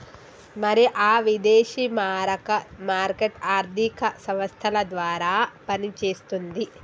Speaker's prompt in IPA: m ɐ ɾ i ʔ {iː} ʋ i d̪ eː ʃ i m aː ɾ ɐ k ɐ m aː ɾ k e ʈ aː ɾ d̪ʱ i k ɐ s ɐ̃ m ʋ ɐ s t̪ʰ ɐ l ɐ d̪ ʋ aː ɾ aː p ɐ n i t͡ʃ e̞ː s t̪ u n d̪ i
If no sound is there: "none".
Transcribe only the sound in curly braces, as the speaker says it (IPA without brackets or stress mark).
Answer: aː